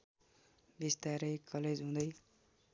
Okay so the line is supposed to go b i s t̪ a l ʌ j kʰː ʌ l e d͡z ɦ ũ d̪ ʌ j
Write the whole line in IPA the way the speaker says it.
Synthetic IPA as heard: b i s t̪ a ɾ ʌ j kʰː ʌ l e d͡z ɦ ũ d̪ ʌ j